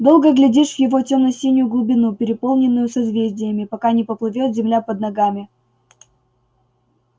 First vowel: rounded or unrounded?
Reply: rounded